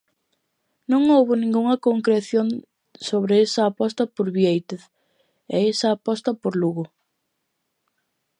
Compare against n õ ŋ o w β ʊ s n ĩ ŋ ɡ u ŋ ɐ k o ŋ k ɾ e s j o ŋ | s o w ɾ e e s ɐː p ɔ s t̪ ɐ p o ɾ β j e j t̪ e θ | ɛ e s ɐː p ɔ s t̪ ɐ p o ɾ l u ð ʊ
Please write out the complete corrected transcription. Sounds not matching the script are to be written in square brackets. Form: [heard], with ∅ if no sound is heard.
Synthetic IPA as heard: n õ ŋ o w β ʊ [∅] n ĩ ŋ ɡ u ŋ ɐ k o ŋ k ɾ e [θ] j o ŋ | s o [β] ɾ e e s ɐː p ɔ s t̪ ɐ p o ɾ β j e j t̪ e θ | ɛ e s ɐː p ɔ s t̪ ɐ p o ɾ l u [ɣ] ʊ